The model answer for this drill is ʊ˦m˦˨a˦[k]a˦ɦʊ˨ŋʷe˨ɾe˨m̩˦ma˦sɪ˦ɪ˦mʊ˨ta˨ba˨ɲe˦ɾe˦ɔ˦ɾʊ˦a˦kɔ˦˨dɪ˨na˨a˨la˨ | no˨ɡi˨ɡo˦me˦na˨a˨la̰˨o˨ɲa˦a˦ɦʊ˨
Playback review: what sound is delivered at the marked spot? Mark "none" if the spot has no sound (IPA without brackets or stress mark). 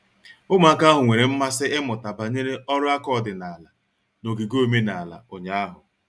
k